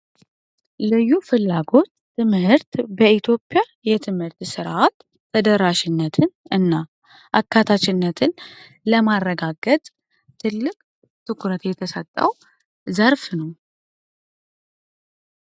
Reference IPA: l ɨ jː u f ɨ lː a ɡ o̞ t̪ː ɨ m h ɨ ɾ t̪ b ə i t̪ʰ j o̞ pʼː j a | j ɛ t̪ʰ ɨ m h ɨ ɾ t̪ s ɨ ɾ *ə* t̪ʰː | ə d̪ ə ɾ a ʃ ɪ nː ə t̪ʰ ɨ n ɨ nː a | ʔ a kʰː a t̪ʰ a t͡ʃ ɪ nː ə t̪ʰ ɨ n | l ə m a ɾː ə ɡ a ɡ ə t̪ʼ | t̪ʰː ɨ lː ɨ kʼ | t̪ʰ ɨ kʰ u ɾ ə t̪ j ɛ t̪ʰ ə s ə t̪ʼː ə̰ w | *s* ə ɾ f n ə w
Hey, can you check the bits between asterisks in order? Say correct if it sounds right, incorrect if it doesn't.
incorrect, incorrect

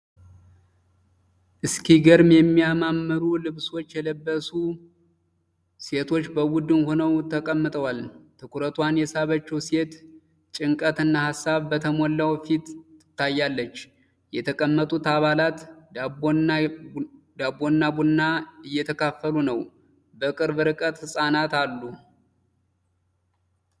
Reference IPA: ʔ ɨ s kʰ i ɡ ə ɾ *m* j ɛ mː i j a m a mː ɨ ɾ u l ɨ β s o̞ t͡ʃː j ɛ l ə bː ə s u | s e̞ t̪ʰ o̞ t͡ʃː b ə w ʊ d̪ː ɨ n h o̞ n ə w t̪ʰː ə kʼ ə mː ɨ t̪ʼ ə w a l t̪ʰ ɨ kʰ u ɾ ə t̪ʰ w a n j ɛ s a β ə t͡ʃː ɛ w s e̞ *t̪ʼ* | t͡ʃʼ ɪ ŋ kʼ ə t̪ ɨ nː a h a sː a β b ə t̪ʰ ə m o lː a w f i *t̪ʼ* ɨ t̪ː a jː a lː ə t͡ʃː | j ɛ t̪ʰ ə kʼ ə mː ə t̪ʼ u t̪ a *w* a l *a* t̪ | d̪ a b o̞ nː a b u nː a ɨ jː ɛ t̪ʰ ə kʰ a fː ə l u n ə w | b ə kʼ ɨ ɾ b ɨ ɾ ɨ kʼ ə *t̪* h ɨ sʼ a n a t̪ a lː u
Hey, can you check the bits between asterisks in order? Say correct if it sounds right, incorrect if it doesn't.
correct, incorrect, incorrect, incorrect, correct, correct

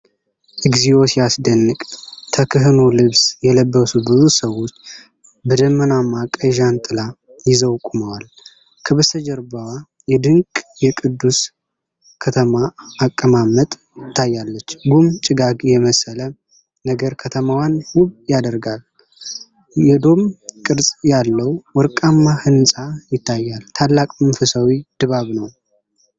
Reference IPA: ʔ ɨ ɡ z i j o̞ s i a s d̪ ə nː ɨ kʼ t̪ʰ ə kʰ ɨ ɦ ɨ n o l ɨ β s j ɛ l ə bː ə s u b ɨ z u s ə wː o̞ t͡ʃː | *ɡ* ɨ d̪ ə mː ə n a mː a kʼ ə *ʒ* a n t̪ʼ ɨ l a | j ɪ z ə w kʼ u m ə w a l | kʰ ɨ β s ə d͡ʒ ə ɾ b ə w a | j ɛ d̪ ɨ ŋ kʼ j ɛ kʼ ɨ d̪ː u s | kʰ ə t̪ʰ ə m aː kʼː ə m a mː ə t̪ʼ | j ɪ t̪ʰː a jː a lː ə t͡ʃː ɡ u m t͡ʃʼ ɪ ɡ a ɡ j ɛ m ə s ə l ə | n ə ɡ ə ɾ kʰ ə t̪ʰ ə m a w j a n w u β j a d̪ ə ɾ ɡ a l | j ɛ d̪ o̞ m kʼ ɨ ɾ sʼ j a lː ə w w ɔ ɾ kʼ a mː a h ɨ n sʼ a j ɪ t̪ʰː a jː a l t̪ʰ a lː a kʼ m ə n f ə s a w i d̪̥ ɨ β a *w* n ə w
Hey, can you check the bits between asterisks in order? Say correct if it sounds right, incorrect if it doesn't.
incorrect, correct, incorrect

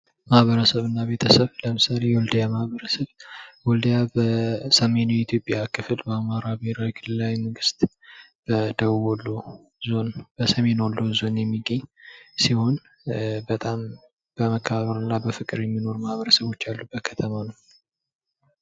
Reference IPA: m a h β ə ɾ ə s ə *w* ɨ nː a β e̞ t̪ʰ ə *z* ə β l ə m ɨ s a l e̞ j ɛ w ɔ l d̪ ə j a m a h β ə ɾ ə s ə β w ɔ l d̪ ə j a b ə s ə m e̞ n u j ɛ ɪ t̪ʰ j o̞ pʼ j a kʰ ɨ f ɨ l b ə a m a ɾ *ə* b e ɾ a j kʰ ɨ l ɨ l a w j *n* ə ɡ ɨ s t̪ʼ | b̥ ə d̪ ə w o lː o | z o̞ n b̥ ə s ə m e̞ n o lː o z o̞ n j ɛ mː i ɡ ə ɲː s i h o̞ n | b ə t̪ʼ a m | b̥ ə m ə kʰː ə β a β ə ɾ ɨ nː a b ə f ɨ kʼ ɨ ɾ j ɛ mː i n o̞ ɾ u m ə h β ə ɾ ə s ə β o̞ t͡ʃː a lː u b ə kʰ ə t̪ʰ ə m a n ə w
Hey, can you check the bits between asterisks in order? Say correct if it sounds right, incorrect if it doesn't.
incorrect, incorrect, incorrect, incorrect

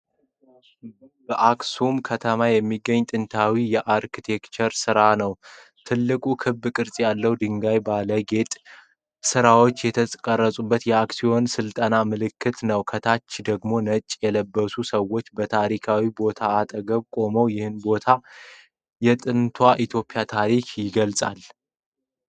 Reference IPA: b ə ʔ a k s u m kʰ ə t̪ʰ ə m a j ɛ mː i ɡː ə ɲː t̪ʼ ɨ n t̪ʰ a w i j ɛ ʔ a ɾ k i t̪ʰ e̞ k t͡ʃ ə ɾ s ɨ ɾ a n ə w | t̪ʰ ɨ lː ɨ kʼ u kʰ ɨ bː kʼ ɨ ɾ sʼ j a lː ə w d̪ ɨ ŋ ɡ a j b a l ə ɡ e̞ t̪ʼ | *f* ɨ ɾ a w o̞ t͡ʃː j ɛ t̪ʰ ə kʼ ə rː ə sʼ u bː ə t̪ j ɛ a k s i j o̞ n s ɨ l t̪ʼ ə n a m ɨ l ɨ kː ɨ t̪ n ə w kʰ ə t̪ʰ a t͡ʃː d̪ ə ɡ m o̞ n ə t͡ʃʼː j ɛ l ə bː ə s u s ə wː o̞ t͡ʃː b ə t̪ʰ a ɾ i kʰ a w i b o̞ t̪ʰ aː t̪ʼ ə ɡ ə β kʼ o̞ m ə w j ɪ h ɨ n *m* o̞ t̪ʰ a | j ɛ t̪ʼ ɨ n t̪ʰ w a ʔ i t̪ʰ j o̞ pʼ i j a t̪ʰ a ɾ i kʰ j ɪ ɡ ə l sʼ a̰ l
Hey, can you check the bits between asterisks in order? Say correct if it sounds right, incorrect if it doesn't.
incorrect, incorrect

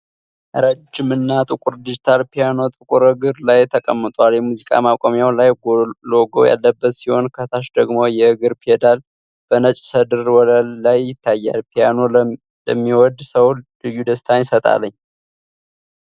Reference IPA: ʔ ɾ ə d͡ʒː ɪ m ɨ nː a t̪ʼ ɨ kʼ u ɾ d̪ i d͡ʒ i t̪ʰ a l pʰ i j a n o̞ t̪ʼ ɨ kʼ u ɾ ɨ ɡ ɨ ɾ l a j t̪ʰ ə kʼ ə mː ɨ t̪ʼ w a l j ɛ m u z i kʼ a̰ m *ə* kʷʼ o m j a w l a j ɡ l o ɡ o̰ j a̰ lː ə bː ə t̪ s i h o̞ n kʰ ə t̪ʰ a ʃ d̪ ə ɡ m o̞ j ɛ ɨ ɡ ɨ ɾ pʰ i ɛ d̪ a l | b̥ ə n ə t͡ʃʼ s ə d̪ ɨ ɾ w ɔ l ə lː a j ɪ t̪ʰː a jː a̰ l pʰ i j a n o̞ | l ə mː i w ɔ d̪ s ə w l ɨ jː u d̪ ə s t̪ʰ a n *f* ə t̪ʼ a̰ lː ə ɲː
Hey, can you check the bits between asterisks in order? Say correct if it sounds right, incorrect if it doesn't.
incorrect, incorrect

